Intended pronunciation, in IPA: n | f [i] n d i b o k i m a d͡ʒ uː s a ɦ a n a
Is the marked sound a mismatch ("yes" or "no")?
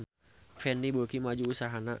yes